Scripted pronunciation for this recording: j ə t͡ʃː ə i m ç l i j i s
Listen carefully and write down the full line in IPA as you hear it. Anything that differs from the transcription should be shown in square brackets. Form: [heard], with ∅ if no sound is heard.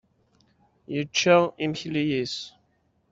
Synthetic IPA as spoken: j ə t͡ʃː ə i m ç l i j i s